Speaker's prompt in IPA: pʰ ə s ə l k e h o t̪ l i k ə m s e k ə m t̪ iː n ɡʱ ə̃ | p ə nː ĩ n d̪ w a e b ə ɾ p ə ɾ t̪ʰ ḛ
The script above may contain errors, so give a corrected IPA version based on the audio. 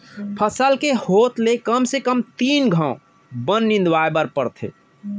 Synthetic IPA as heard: pʰ ə s ə l k e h o t̪ l e k ə m s e k ə m t̪ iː n ɡʱ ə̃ | b ə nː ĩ n d̪ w a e b ə ɾ p ə ɾ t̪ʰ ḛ